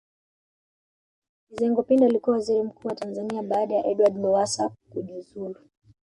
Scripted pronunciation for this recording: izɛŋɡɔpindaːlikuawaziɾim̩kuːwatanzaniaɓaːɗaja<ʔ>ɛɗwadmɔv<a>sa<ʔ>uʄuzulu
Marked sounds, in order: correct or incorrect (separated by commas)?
correct, correct, incorrect